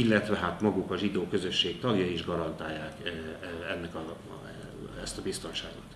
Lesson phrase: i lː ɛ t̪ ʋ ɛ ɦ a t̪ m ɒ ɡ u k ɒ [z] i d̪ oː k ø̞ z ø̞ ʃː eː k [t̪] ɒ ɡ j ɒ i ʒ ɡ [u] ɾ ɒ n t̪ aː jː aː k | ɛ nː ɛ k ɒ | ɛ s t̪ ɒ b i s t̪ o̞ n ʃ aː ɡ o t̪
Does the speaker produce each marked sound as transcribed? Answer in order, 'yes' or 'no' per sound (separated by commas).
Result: no, yes, no